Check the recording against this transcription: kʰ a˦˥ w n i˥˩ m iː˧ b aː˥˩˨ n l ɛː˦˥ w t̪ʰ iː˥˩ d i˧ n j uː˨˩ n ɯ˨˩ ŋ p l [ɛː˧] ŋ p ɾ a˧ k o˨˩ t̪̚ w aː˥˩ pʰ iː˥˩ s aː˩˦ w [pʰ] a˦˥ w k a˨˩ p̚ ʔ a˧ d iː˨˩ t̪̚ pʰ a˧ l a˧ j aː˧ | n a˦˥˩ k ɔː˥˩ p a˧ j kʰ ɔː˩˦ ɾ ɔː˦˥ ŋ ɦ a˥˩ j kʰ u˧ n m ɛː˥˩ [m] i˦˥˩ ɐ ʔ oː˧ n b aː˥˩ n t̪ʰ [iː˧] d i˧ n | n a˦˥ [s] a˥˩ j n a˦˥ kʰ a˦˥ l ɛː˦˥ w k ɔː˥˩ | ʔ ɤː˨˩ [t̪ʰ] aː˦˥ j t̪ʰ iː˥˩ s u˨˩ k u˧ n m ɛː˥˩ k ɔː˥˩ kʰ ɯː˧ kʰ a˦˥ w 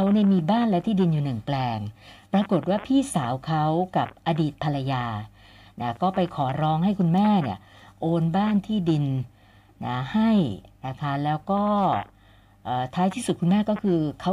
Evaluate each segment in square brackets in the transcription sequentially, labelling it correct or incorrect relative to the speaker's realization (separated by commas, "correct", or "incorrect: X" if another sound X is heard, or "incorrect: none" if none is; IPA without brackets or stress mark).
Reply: correct, incorrect: kʰ, incorrect: n, incorrect: iː˥˩, incorrect: h, correct